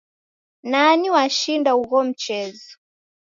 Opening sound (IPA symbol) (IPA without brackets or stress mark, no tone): n